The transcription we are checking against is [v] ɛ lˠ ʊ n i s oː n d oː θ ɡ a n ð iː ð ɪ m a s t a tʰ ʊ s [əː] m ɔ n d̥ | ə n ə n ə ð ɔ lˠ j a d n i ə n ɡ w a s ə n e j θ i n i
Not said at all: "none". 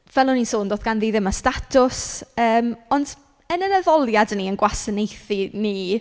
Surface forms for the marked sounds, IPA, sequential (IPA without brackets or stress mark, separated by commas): v, əː